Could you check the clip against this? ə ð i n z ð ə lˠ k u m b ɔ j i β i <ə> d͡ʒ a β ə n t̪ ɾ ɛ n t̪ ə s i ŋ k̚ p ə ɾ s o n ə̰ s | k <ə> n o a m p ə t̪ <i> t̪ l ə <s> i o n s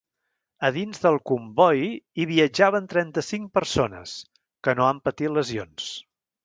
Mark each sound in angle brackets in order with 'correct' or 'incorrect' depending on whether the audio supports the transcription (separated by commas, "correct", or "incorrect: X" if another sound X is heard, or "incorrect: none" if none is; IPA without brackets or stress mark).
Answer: correct, correct, correct, incorrect: z